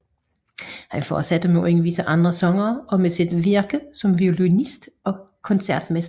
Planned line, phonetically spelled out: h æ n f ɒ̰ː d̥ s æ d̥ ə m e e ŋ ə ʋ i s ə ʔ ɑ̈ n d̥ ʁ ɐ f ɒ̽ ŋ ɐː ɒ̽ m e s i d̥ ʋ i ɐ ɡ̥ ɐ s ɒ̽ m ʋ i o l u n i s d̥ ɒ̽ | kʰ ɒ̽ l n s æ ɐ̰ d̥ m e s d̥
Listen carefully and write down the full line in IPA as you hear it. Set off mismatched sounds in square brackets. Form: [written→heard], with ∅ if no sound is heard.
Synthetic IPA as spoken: h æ n f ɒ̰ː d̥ s æ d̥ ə m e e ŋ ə ʋ i s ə ʔ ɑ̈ n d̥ ʁ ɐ [f→s] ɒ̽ ŋ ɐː ɒ̽ m e s i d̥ ʋ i ɐ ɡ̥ [ɐ→ə] s ɒ̽ m ʋ i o l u n i s d̥ ɒ̽ | kʰ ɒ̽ [l→∅] n s æ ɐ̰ d̥ m e s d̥